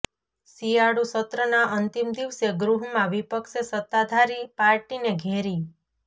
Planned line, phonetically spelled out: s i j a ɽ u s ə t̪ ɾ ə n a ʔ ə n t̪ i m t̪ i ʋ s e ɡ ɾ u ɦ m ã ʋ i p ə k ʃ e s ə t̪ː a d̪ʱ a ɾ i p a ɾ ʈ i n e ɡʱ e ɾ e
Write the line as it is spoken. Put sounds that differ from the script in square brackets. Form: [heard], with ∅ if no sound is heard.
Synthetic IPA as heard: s i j a ɽ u s ə t̪ ɾ ə n a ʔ ə n t̪ i m [d̪] i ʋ s e ɡ ɾ u ɦ m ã ʋ i p ə k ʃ e s ə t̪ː a d̪ʱ a ɾ i p a ɾ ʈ i n e ɡʱ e ɾ [i]